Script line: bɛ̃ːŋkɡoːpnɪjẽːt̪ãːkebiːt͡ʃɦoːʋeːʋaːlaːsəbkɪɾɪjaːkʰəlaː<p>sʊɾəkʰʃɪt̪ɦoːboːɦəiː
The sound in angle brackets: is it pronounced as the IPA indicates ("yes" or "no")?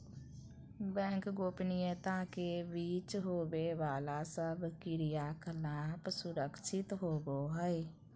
yes